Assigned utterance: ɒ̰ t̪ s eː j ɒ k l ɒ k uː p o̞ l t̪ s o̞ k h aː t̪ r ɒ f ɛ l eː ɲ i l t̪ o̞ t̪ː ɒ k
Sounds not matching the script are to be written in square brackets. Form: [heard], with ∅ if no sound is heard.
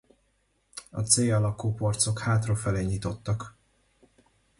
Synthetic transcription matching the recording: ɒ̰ t̪ s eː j ɒ [∅] l ɒ k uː p o̞ [r] t̪ s o̞ k h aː t̪ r [o] f ɛ l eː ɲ i [∅] t̪ o̞ t̪ː ɒ k